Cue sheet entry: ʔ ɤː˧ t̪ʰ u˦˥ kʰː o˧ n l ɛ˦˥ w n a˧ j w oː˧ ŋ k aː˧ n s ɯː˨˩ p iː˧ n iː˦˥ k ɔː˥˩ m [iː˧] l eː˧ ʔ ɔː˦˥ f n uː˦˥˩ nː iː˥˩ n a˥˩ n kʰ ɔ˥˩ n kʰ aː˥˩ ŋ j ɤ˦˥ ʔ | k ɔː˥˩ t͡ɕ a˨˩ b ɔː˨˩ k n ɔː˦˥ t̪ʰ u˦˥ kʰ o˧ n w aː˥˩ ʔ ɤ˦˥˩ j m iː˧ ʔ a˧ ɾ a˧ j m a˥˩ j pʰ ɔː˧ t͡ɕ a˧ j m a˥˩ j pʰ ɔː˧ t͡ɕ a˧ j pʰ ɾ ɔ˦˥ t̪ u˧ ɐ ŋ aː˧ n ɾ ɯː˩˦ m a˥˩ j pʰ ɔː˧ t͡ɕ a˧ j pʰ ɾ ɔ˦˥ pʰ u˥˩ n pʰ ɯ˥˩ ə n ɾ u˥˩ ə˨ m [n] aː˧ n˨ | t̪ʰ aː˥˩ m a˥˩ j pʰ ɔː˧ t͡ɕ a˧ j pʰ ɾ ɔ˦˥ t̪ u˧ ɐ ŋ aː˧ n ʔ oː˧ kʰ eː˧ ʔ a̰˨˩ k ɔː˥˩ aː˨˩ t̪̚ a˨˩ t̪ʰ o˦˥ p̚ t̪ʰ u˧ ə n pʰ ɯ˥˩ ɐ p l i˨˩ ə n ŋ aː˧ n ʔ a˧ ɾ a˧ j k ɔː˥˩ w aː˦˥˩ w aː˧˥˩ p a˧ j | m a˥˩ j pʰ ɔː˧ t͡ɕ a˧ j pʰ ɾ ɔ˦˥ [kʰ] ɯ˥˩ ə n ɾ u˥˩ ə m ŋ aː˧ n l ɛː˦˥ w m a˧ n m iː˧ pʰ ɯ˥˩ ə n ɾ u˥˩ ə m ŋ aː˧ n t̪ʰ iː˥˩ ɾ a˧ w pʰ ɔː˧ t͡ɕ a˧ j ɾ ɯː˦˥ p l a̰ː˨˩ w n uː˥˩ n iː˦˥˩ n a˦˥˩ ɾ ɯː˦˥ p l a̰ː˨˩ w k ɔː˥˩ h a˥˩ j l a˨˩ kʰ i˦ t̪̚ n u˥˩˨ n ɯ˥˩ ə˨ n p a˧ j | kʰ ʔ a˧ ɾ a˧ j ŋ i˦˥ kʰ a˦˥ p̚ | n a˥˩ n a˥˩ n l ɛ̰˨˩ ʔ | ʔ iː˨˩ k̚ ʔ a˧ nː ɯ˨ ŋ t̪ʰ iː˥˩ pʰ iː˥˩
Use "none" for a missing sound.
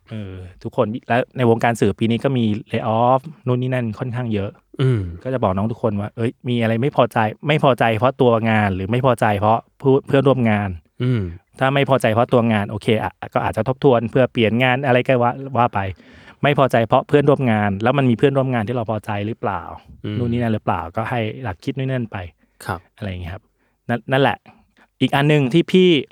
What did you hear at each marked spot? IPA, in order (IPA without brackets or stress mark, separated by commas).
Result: iː˧, ŋ, pʰ